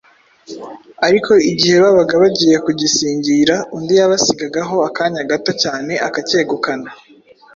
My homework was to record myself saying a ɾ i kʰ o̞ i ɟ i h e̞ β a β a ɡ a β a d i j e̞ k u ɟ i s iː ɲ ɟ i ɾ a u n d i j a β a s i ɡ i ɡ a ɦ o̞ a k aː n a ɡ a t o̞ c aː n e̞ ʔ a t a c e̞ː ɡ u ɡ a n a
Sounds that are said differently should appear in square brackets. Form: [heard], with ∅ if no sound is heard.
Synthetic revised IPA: a ɾ i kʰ o̞ i ɟ i h e̞ β a β a ɡ a β a [ɟ] i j e̞ k u ɟ i s iː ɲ ɟ i ɾ a u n d i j a β a s i ɡ [a] ɡ a ɦ o̞ a k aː [ɲ] a ɡ a t o̞ c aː n e̞ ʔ a [k] a c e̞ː ɡ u [k] a n a